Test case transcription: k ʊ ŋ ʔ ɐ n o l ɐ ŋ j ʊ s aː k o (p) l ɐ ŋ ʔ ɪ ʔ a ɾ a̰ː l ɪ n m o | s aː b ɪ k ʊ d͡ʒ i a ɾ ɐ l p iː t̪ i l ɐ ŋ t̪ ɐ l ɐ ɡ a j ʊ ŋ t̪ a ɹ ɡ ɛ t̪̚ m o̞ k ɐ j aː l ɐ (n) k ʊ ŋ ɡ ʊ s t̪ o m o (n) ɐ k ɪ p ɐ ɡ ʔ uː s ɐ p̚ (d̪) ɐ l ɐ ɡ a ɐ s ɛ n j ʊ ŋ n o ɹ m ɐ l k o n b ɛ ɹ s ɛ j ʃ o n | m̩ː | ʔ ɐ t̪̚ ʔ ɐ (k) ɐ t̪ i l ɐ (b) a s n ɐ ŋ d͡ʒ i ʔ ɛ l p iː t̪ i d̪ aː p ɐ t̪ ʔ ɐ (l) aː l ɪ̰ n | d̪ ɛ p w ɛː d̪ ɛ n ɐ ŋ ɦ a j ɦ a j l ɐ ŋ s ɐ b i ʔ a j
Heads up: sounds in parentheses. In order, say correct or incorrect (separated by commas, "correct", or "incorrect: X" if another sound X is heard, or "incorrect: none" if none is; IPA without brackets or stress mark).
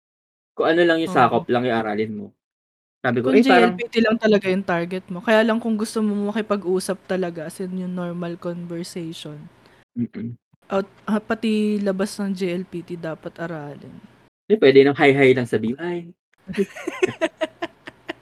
correct, incorrect: ŋ, incorrect: m, incorrect: t̪, incorrect: p, correct, incorrect: ɾ